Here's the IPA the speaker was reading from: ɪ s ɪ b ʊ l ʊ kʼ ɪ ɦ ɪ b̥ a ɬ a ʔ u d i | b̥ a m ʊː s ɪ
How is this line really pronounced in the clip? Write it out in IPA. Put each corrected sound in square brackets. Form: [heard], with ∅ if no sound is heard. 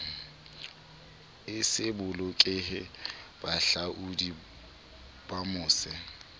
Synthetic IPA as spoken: ɪ s ɪ b ʊ l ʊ kʼ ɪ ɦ ɪ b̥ a ɬ a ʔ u d i | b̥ a m ʊː s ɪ